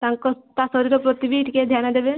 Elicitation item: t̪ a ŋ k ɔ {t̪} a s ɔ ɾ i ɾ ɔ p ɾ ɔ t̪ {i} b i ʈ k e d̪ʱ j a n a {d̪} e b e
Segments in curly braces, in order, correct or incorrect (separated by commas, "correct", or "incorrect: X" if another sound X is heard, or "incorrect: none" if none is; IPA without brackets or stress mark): correct, correct, correct